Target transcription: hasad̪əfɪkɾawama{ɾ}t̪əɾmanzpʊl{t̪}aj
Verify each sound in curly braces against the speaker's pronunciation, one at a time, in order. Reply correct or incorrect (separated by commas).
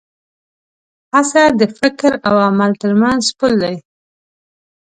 incorrect, incorrect